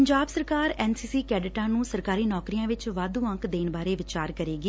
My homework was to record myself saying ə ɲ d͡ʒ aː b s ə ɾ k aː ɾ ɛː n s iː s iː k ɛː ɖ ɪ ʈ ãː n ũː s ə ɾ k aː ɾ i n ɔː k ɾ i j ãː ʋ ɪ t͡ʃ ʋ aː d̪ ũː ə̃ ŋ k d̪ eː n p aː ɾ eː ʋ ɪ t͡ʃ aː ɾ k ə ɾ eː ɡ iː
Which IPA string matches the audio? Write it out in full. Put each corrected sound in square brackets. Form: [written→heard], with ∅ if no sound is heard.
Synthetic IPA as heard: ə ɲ d͡ʒ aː b s ə ɾ k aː ɾ ɛː n s iː s iː k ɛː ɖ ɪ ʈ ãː n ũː s ə ɾ k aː ɾ [i→iː] n ɔː k ɾ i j ãː ʋ ɪ t͡ʃ ʋ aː d̪ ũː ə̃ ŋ k d̪ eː n [p→b] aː ɾ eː ʋ ɪ t͡ʃ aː ɾ k ə ɾ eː ɡ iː